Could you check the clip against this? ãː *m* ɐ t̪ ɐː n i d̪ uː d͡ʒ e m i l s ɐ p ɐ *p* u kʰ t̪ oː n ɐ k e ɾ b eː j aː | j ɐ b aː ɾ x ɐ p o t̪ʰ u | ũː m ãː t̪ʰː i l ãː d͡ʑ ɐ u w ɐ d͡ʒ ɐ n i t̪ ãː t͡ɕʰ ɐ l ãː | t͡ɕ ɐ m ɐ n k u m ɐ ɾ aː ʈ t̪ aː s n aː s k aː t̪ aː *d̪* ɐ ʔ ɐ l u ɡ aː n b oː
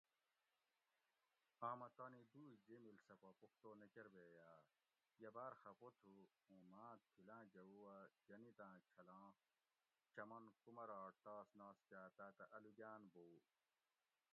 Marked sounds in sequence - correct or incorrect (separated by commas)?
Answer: correct, correct, incorrect